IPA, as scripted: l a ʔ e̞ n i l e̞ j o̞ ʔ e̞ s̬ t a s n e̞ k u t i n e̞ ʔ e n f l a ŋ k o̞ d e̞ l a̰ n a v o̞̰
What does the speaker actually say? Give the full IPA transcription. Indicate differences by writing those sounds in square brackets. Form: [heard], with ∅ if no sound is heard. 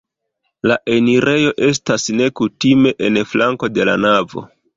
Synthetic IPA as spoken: l a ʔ e̞ n i [ɾ] e̞ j o̞ ʔ e̞ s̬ t a s n e̞ k u t i [m] e̞ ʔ e n f l a ŋ k o̞ d e̞ l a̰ n a v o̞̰